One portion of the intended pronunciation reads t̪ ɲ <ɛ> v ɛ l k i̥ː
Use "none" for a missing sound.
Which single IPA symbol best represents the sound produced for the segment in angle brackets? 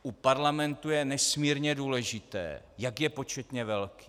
ɛ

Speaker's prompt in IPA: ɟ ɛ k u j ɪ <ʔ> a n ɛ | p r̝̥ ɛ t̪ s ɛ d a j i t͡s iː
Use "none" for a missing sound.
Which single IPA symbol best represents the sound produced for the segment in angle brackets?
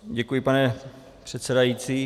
p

